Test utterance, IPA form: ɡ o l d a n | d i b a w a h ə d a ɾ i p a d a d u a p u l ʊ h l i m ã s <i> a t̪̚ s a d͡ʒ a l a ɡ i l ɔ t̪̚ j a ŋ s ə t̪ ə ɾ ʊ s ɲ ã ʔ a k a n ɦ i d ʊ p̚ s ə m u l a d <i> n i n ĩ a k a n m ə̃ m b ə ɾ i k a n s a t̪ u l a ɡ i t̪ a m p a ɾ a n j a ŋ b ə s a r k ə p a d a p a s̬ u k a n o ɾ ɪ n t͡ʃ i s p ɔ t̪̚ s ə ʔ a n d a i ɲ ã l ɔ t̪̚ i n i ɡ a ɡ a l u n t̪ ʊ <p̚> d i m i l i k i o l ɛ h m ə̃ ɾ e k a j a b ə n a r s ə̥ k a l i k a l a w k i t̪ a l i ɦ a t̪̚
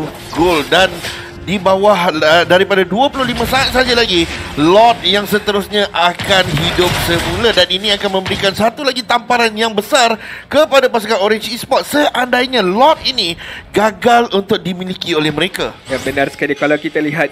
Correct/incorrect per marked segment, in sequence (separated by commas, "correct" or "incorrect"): incorrect, incorrect, incorrect